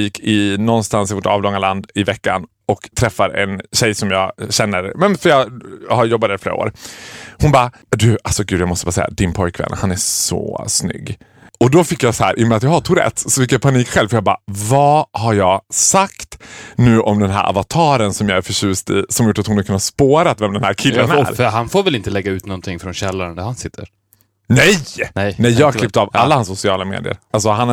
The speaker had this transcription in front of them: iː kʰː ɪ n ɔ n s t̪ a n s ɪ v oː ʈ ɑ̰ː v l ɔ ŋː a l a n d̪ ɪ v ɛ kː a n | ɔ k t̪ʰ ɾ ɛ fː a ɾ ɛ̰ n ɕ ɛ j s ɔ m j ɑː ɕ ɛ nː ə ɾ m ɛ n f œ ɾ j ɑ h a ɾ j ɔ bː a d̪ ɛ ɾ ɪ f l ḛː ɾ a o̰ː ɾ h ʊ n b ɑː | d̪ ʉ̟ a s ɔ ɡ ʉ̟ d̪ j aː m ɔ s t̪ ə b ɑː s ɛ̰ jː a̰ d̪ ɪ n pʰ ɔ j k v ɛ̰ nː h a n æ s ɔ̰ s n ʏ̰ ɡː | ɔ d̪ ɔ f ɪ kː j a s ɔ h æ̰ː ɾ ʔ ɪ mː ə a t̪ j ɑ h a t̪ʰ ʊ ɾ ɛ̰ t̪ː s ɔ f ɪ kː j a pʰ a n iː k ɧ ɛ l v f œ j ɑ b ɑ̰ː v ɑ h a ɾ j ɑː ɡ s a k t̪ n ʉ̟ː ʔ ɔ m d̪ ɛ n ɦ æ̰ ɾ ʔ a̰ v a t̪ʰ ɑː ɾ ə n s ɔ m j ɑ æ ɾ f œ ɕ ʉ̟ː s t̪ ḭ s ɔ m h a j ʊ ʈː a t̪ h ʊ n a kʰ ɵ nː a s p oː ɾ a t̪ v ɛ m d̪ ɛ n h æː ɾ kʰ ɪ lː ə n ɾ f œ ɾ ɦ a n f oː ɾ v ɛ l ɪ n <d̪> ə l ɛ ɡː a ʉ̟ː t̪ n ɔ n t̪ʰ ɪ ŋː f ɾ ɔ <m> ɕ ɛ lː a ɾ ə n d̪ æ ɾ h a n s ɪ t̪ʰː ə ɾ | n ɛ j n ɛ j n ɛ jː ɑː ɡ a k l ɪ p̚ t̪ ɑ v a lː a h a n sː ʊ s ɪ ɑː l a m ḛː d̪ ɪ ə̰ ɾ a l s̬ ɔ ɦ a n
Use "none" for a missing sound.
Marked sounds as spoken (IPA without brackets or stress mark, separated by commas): t̪, n